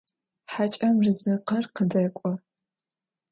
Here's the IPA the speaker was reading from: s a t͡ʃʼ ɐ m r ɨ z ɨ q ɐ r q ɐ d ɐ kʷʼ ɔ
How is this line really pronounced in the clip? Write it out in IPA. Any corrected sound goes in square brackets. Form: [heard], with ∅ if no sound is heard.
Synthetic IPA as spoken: [ħ] a t͡ʃʼ ɐ m r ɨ z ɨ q ɐ r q [ə] d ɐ kʷʼ ɔ